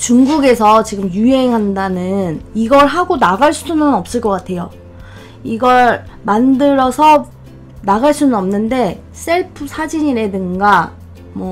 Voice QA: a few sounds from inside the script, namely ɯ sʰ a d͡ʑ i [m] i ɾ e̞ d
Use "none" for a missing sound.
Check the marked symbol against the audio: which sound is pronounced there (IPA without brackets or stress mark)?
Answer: ɲ